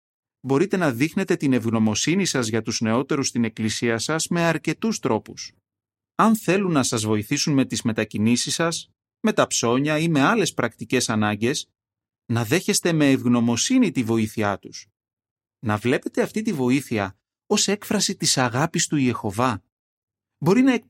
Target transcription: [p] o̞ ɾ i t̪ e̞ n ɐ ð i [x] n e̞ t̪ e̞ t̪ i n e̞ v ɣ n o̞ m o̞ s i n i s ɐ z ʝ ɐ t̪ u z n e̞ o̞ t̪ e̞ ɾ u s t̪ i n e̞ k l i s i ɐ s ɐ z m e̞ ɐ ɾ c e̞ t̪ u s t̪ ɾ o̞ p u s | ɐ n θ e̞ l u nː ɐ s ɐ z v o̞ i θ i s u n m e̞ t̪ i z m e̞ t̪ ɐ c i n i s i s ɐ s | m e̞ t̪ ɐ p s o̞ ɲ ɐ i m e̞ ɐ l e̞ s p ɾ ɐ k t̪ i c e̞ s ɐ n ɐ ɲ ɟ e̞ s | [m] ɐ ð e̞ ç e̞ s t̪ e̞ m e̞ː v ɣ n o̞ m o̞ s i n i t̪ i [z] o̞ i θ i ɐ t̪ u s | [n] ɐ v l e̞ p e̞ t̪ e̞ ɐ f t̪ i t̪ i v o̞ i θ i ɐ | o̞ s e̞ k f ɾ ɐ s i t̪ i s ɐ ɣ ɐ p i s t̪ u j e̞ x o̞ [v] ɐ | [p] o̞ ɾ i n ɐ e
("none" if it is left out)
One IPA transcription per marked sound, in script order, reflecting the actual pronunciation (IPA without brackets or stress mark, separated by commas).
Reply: b, x, n, v, n, v, b